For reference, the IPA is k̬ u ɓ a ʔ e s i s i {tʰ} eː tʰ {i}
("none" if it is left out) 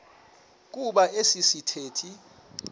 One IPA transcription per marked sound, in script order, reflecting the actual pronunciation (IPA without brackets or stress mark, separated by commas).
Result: tʰ, i